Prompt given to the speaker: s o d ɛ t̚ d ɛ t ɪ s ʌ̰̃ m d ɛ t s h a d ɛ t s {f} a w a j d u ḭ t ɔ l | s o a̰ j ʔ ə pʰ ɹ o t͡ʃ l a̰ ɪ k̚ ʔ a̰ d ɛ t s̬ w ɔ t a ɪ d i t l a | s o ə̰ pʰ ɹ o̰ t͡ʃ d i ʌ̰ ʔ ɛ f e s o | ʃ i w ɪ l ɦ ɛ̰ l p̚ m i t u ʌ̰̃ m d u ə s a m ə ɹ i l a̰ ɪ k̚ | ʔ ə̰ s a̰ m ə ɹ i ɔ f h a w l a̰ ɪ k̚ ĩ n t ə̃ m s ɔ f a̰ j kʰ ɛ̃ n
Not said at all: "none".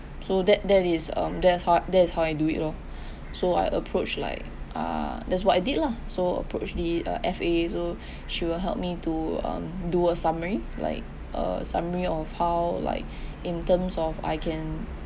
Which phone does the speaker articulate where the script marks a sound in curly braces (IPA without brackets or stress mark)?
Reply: h